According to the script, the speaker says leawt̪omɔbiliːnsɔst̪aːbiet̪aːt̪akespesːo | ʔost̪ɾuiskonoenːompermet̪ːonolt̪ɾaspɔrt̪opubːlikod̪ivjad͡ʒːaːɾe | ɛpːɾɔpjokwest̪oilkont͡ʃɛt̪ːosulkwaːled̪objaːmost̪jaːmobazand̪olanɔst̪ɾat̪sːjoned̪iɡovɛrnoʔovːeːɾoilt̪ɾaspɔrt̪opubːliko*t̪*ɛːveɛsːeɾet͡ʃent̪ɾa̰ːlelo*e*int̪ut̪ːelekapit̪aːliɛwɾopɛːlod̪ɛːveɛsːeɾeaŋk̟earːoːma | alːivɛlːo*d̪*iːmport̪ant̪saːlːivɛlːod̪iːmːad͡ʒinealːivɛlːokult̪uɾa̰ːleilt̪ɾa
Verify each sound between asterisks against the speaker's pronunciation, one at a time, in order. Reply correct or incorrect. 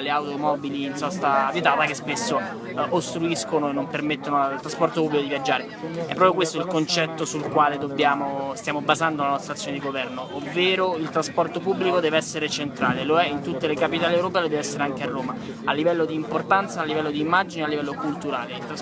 incorrect, incorrect, correct

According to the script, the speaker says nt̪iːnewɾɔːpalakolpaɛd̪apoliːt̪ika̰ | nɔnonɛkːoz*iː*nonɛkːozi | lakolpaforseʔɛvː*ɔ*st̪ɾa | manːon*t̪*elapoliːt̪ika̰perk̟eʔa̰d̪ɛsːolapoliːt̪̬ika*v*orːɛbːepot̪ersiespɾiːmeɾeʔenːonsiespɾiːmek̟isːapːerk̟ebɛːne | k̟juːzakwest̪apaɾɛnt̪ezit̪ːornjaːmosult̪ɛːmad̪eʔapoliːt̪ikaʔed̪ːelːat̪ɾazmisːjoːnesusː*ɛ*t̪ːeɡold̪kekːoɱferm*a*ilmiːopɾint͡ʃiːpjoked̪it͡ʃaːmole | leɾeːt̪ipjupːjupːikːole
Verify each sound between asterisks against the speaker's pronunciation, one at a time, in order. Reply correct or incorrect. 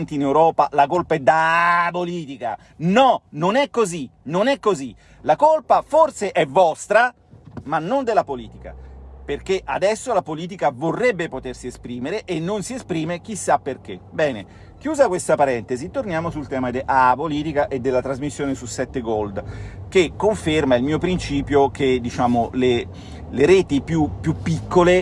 incorrect, correct, incorrect, correct, correct, correct

